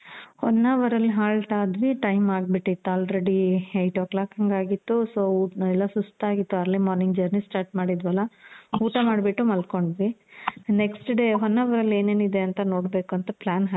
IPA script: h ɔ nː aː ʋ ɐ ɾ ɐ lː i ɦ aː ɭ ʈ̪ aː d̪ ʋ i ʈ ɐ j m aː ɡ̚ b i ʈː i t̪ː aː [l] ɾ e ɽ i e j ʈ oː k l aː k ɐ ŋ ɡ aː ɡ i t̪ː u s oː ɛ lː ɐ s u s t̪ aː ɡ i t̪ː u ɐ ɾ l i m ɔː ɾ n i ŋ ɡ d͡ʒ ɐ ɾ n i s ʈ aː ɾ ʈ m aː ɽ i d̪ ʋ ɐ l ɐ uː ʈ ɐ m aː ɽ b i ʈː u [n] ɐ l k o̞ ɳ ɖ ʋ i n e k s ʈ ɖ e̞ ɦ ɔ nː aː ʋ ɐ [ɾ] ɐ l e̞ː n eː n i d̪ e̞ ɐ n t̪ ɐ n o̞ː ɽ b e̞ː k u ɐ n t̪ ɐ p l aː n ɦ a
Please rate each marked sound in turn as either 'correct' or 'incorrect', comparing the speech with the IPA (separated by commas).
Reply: correct, incorrect, correct